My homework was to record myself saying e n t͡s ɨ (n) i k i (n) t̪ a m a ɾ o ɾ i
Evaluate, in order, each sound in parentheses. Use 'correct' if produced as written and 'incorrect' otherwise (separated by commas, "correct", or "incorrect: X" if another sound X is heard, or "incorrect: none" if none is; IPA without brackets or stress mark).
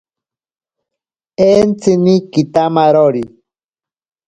correct, incorrect: none